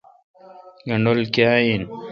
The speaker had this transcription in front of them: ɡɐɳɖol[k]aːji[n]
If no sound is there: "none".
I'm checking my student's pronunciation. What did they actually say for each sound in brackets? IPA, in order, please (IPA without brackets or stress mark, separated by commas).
k, n